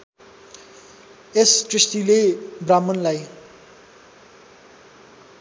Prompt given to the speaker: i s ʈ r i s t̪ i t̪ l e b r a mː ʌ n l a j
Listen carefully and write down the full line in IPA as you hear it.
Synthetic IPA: e s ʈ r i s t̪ i l e b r a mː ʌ n l a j